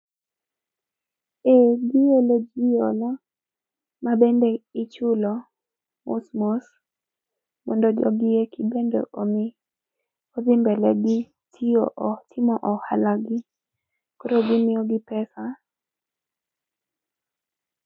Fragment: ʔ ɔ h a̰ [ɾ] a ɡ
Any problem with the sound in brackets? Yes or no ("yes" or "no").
yes